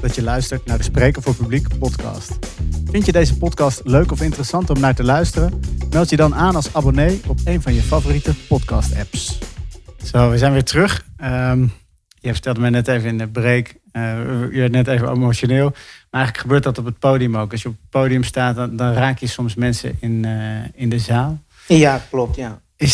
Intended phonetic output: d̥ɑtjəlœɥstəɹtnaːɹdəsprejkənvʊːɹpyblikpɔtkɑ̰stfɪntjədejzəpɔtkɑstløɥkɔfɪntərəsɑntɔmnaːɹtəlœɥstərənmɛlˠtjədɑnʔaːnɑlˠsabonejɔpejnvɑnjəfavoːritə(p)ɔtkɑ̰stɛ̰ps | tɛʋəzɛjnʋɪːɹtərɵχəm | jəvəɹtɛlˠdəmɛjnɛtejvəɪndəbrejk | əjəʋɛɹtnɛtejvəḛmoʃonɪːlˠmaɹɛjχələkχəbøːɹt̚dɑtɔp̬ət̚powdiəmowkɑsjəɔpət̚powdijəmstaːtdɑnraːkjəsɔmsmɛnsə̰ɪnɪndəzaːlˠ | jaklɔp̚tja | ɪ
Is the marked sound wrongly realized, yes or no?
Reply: no